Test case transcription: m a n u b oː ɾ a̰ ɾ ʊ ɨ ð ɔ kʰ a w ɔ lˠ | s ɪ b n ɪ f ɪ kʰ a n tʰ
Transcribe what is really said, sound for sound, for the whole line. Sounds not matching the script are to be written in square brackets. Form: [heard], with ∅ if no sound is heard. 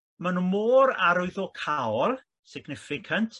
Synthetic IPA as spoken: m a n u [m] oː ɾ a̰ ɾ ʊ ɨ ð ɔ kʰ a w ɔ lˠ | s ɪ [ɡ] n ɪ f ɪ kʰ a n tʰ